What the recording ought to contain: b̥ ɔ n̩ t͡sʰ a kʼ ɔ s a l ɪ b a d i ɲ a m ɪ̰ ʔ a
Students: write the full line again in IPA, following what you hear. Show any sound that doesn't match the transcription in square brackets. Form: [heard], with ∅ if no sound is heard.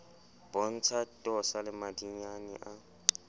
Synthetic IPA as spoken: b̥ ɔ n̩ t͡sʰ a [tʼ] ɔ s a l ɪ [m] a d i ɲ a [n] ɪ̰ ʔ a